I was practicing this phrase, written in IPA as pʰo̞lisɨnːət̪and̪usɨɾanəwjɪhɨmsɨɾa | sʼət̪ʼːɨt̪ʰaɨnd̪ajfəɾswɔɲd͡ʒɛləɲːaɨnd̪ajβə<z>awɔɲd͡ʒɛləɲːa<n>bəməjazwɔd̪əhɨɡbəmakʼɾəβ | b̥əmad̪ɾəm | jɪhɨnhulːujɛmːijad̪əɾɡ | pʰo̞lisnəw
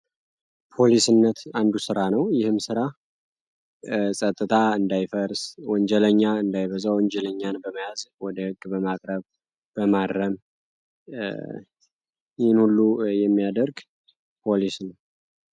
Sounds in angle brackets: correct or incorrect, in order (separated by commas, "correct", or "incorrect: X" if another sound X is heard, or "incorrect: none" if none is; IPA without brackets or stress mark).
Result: correct, correct